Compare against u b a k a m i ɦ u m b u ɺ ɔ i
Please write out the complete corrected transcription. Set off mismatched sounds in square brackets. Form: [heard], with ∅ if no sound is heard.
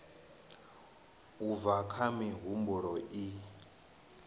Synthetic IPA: u [v] a [kʰ] a m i ɦ u m b u ɺ ɔ i